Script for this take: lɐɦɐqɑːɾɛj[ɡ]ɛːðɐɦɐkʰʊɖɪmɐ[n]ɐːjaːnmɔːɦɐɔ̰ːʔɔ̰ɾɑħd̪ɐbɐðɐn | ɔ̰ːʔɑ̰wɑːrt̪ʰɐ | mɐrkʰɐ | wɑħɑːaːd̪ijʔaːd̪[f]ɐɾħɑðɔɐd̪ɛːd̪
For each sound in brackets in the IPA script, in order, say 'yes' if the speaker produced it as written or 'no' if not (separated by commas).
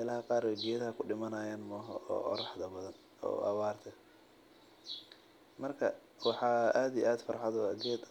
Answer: yes, yes, yes